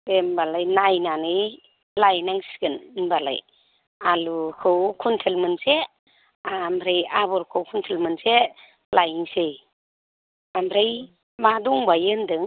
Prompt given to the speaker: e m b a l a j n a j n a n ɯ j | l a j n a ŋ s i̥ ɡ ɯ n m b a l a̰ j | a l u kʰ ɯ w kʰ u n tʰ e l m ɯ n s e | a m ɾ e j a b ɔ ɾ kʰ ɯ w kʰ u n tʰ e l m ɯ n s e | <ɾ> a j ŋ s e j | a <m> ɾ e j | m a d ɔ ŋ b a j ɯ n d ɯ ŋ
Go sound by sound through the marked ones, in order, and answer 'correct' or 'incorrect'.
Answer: incorrect: l, correct

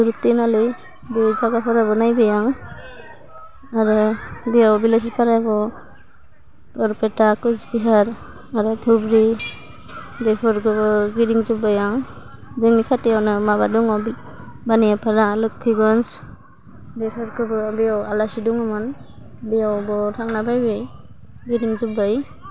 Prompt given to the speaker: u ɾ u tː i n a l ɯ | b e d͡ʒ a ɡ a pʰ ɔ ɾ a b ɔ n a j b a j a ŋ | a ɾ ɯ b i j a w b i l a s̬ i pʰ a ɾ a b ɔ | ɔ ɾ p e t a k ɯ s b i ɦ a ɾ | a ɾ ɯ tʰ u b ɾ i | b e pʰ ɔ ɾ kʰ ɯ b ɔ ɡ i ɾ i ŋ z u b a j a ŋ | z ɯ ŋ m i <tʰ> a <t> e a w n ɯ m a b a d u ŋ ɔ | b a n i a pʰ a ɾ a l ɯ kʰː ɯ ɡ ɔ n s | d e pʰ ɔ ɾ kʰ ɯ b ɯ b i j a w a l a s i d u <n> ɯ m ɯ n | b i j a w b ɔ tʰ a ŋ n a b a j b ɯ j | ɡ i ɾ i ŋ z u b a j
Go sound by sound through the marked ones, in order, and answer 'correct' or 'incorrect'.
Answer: incorrect: kʰ, correct, incorrect: ŋ

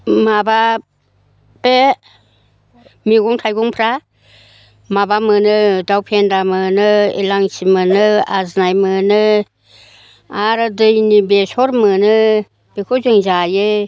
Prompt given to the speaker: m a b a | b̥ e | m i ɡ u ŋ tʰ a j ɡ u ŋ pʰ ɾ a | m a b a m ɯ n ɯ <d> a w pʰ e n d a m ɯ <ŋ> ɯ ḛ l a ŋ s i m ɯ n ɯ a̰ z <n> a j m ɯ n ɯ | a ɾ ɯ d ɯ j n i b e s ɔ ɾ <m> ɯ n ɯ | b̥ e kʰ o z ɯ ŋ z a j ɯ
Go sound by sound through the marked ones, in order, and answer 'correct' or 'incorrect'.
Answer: correct, incorrect: n, correct, correct

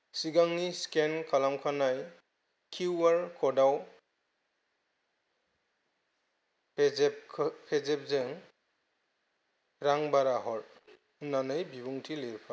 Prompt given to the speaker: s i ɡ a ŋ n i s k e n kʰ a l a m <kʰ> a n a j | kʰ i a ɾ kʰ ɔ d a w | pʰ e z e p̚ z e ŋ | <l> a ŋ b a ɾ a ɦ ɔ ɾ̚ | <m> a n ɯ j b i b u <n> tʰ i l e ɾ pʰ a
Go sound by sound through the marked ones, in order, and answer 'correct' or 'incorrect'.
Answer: correct, incorrect: ɾ, incorrect: n, incorrect: ŋ

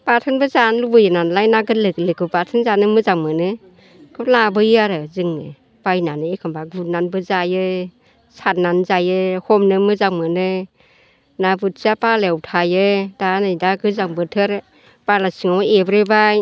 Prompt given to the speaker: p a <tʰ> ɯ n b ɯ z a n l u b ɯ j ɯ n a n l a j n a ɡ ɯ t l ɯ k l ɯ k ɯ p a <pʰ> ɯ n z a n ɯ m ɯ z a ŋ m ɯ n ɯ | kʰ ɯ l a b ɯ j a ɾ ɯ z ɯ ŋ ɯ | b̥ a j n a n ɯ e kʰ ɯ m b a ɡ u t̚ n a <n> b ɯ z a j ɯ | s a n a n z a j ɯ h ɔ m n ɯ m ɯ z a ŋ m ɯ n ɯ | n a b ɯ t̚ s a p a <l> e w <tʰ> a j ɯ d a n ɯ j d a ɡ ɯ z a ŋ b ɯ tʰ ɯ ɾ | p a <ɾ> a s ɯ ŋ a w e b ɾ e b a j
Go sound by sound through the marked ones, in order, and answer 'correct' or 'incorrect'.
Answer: correct, incorrect: tʰ, correct, correct, correct, incorrect: l

